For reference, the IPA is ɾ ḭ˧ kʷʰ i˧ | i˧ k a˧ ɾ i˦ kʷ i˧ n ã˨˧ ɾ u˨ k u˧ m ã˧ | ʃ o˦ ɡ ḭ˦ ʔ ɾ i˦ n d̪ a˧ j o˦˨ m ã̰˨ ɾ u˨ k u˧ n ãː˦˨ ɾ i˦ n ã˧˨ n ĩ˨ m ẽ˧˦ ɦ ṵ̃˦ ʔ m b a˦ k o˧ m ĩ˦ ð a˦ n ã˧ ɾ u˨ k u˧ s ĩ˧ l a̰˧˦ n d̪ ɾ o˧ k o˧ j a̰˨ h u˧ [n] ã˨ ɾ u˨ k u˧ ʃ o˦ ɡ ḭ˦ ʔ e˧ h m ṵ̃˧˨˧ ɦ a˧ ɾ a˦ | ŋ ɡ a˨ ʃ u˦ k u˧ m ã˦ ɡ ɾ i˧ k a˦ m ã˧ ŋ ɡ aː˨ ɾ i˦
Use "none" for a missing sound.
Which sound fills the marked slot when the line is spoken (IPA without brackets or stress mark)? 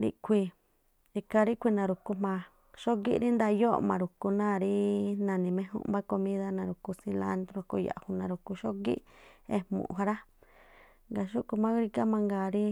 n